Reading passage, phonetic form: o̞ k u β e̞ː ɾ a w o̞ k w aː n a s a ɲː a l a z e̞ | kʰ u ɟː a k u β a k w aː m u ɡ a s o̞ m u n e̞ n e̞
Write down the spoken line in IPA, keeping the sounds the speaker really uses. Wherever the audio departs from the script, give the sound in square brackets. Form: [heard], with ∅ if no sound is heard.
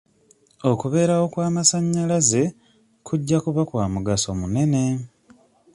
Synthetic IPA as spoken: o̞ k u β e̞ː ɾ a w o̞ k w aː [m] a s a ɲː a l a z e̞ | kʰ u ɟː a k u β a k w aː m u ɡ a s o̞ m u n e̞ n e̞